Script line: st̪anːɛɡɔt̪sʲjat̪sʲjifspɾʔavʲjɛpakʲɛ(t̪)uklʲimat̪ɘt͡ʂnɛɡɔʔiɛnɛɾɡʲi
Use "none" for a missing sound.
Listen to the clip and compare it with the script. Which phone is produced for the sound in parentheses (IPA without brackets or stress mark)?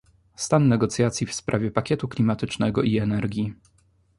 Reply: t̪